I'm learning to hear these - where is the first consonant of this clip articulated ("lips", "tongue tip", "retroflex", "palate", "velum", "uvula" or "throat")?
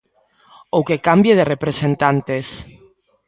velum